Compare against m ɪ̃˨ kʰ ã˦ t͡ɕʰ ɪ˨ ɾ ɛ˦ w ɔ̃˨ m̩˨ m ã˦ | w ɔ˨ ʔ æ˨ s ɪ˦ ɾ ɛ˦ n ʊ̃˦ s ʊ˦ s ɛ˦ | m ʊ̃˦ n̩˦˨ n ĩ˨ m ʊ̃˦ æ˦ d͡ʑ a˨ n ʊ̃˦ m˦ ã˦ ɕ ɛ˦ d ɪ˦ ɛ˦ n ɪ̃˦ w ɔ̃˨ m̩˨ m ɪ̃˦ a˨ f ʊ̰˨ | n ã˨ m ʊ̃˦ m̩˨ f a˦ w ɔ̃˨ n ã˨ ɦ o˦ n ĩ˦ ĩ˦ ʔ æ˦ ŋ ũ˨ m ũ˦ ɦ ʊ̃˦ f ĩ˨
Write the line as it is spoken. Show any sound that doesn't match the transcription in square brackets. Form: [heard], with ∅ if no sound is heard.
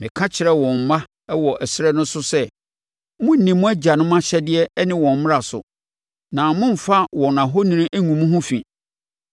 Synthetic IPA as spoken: m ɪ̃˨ kʰ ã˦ t͡ɕʰ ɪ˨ ɾ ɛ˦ w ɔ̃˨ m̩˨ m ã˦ | w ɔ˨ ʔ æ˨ s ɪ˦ ɾ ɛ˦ n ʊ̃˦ s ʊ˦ s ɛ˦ | m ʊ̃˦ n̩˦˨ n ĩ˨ m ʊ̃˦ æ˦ d͡ʑ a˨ n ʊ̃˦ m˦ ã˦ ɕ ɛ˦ d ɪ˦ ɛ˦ n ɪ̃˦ w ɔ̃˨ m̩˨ m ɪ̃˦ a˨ [s] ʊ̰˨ | n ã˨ m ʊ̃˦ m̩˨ f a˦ w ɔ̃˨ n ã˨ ɦ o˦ n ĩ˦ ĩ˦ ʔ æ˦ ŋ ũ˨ m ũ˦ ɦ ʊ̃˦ f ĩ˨